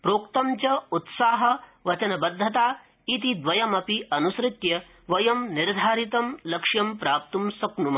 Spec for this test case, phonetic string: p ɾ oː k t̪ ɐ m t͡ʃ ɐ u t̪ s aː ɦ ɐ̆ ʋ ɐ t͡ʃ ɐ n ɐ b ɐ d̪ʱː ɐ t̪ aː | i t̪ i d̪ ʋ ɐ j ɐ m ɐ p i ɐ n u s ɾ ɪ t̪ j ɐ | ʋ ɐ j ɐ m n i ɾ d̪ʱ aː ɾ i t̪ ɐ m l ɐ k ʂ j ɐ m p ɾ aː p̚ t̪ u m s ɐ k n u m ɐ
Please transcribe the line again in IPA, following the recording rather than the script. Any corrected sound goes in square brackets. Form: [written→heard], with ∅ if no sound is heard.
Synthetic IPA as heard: p ɾ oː k t̪ ɐ m t͡ʃ ɐ u t̪ s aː ɦ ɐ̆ ʋ ɐ t͡ʃ ɐ n ɐ b ɐ d̪ʱː ɐ t̪ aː | i t̪ i d̪ ʋ ɐ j ɐ m ɐ p i ɐ n u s ɾ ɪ t̪ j ɐ | ʋ ɐ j ɐ m n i ɾ d̪ʱ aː ɾ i t̪ ɐ m l ɐ k ʂ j ɐ m p ɾ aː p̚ t̪ u m s ɐ k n u m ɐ